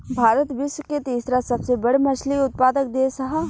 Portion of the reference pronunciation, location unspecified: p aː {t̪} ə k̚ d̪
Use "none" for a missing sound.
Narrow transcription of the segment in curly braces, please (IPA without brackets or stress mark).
d̪